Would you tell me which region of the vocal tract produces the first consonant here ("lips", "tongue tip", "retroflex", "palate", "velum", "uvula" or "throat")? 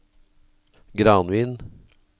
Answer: velum